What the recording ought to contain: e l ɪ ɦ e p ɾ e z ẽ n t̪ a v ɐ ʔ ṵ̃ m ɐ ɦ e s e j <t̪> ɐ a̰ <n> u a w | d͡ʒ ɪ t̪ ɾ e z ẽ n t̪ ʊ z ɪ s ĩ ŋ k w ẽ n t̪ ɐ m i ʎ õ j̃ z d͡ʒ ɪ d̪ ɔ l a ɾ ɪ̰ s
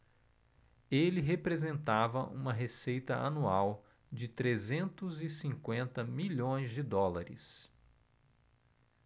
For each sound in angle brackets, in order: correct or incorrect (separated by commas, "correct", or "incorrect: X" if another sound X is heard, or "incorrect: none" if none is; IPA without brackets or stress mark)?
correct, correct